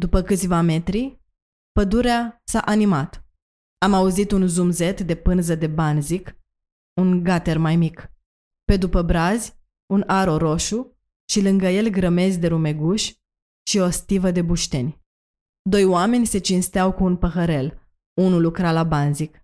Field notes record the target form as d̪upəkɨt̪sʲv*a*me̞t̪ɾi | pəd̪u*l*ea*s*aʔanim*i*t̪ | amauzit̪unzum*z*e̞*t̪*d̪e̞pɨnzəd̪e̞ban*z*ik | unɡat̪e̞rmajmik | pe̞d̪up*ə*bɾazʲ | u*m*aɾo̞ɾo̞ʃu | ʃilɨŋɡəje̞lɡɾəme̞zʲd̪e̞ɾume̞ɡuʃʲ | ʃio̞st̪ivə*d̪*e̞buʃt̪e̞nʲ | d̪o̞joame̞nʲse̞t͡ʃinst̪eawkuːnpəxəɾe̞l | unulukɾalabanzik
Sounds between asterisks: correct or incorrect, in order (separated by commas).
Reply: correct, incorrect, correct, incorrect, correct, correct, correct, correct, incorrect, correct